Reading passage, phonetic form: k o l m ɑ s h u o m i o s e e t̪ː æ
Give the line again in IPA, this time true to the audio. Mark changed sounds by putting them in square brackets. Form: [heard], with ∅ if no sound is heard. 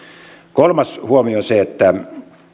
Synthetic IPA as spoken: k o l m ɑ s h u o m i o s e e t̪ː æ

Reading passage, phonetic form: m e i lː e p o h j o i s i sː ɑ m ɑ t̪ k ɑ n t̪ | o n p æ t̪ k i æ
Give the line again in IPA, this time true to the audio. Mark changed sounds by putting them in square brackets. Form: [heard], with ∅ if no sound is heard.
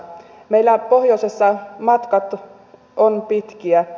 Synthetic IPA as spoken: m e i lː [æ] p o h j o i s [e] sː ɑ m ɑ t̪ k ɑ [∅] t̪ | o n p [i] t̪ k i æ

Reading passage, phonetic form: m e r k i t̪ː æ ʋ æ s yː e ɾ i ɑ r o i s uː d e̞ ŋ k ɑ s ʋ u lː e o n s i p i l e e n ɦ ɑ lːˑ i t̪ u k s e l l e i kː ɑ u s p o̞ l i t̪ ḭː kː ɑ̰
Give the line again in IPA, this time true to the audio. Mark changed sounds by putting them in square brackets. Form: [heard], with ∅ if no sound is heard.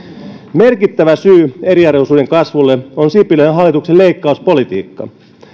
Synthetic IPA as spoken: m e r k i t̪ː æ ʋ æ s yː e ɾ i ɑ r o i s uː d e̞ ŋ k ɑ s ʋ u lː e o n s i p i l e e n ɦ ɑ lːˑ i t̪ u k s e l l e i kː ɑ u s p o̞ l i t̪ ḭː kː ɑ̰

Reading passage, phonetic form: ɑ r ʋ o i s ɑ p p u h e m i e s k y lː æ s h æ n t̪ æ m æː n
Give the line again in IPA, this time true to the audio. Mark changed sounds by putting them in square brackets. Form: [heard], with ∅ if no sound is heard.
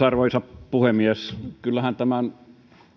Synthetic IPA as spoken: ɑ r ʋ o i s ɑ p p u h e m i e s k y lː æ [∅] h æ n t̪ æ m [æ] n

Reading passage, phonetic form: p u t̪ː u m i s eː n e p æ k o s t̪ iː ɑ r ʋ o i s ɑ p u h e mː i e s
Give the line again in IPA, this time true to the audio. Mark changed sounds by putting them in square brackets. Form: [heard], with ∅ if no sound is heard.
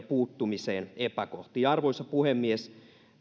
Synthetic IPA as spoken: p [uː] t̪ː u m i s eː n e p æ k o [h] t̪ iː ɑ r ʋ o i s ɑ p u h e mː i e s

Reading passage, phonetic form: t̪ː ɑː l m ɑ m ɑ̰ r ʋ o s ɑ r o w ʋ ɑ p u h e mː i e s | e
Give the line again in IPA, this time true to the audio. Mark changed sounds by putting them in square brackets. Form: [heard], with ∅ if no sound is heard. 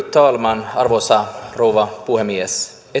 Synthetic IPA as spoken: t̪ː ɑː l m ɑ [n] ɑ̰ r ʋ o s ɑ r o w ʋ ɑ p u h e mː i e s | e

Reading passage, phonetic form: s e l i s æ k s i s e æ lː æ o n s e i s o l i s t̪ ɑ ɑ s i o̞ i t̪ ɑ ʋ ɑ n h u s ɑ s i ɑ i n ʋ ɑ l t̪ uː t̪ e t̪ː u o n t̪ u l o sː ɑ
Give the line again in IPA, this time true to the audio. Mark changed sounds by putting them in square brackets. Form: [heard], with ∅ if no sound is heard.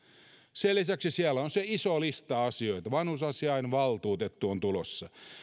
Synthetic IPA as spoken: s e l i s æ k s i s [i] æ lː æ o n s e i s o l i s t̪ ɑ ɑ s i o̞ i t̪ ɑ ʋ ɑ n h u s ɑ s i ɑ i n ʋ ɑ l t̪ uː t̪ e t̪ː u o n t̪ u l o sː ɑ

